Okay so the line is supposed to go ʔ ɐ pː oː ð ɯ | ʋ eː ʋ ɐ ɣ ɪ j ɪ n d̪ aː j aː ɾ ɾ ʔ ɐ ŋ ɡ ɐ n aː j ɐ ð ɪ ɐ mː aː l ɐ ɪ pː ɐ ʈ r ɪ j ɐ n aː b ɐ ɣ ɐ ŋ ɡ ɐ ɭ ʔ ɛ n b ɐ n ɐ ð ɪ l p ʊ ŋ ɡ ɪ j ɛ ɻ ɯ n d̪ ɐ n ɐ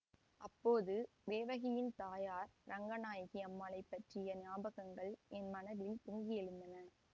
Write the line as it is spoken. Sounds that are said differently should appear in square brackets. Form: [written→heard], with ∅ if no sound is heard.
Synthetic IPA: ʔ ɐ pː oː ð ɯ | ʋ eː ʋ ɐ ɣ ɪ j ɪ n [d̪→t̪] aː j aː ɾ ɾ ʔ ɐ ŋ ɡ ɐ n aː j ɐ [ð→ɣ] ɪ ɐ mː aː l ɐ ɪ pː ɐ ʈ r ɪ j ɐ n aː b ɐ ɣ ɐ ŋ ɡ ɐ ɭ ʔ ɛ n [b→m] ɐ n ɐ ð ɪ l p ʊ ŋ ɡ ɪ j ɛ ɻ ɯ n d̪ ɐ n ɐ